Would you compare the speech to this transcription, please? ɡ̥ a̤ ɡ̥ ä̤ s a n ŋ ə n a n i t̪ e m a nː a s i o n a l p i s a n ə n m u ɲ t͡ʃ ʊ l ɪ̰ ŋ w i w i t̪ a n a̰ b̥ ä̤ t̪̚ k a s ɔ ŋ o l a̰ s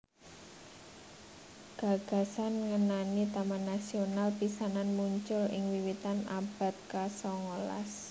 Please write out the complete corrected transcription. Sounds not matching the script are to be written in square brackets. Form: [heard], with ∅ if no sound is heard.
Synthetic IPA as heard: ɡ̥ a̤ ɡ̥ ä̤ s a n ŋ ə n a n i t̪ [a] m a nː a s i o n a l p i s a n [a] n m u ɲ t͡ʃ ʊ l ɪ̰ ŋ w i w i t̪ a n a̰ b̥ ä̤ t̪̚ k a s ɔ ŋ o l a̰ s